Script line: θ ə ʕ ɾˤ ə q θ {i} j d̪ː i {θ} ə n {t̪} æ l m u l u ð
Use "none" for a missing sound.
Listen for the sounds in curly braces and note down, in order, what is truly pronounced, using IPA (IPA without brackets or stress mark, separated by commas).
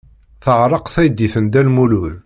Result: æ, θ, d̪